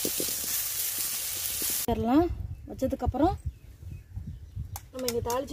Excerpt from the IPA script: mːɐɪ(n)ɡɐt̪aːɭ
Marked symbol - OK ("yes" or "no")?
no